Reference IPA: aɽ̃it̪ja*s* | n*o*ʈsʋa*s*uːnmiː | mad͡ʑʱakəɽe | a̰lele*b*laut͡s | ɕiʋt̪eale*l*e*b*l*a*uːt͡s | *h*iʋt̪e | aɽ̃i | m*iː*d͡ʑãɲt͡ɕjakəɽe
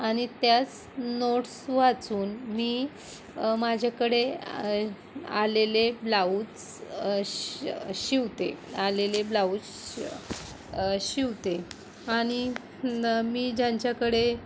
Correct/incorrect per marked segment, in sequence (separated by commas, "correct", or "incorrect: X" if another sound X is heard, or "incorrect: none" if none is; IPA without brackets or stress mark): incorrect: t͡s, correct, incorrect: t͡s, correct, correct, correct, correct, incorrect: ɕ, correct